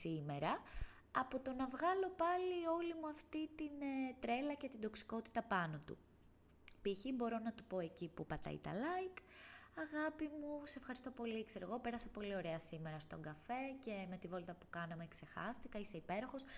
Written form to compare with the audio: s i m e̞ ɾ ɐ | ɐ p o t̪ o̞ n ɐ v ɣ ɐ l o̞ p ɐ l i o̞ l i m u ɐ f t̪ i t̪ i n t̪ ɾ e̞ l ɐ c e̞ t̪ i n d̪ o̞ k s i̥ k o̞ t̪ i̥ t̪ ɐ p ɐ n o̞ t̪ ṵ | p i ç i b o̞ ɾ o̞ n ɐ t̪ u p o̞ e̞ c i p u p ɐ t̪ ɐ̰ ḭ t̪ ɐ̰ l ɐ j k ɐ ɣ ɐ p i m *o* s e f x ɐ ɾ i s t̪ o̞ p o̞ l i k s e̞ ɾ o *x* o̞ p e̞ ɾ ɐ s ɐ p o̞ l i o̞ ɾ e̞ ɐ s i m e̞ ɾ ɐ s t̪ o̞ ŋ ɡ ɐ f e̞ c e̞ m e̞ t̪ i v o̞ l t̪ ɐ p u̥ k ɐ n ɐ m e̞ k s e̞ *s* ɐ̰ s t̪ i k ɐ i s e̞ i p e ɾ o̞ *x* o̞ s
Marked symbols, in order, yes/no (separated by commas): no, no, no, yes